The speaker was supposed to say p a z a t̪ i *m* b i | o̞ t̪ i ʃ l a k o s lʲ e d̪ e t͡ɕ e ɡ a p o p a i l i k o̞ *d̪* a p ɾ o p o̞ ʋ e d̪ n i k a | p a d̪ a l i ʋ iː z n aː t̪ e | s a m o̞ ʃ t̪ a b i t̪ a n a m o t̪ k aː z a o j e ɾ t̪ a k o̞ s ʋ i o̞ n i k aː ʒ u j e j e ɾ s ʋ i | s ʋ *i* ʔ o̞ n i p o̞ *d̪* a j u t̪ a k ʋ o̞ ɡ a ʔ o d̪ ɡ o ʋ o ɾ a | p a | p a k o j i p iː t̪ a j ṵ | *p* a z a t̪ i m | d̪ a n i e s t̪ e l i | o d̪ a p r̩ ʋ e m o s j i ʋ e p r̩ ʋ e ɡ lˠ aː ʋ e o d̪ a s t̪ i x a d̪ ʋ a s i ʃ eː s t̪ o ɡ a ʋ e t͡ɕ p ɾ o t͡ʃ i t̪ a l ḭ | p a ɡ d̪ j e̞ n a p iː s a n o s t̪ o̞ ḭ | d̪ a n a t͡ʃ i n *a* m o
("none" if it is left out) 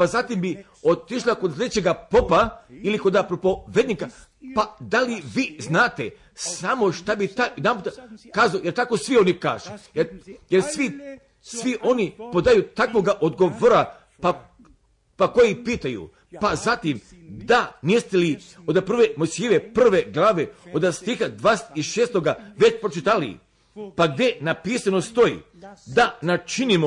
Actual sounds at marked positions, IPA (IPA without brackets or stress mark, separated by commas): m, d̪, i, d̪, p, i